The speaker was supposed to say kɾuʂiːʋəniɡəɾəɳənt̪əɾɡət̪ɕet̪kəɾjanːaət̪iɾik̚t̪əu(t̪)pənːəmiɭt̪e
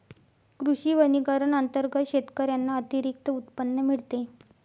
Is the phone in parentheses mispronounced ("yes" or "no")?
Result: no